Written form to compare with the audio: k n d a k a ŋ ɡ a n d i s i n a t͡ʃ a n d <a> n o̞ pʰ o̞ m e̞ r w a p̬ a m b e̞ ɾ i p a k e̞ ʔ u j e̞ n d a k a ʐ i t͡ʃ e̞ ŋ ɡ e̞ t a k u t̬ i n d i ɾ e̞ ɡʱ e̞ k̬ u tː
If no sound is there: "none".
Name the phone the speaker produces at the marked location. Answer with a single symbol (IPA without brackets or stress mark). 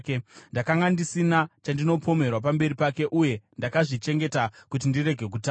i